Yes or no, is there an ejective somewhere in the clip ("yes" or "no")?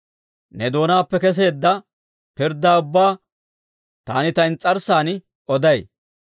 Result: yes